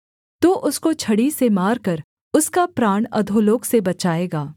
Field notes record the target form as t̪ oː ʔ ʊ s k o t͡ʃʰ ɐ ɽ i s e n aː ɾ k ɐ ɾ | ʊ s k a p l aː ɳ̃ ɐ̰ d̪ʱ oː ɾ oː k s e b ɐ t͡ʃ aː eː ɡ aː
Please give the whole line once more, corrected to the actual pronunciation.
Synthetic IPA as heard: t̪ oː ʔ ʊ s k o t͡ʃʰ ɐ ɽ i s e m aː ɾ k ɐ ɾ | ʊ s k a p ɾ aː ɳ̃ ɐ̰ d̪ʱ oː l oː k s e b ɐ t͡ʃ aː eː ɡ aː